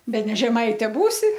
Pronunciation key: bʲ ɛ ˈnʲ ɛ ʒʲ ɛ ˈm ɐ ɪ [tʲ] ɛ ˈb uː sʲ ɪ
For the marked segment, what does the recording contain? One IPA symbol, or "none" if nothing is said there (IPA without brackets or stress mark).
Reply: tʲ